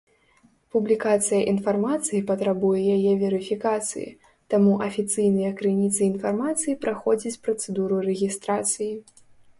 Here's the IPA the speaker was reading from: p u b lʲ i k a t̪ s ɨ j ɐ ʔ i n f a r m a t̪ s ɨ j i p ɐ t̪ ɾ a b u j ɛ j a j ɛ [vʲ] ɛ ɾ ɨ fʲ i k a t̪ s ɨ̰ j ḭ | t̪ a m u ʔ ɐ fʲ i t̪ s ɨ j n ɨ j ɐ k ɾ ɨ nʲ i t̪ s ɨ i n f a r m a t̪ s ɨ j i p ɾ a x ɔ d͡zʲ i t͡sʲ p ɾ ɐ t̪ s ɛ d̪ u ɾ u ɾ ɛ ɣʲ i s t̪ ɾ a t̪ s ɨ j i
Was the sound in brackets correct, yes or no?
yes